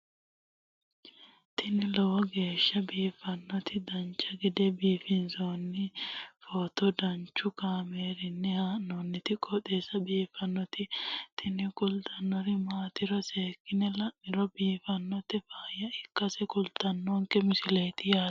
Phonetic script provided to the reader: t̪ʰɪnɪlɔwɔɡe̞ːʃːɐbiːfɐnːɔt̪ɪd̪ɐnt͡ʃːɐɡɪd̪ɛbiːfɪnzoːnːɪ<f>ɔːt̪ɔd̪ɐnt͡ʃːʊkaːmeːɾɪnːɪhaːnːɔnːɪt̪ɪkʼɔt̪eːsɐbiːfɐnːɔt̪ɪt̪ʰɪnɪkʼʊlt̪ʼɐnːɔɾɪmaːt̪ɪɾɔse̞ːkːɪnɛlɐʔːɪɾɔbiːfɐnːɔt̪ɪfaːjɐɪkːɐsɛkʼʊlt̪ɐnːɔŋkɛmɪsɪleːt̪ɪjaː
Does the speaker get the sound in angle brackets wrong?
no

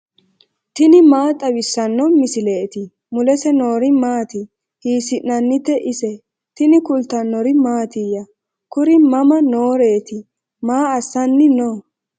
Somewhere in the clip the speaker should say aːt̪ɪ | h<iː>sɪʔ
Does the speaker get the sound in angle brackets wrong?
no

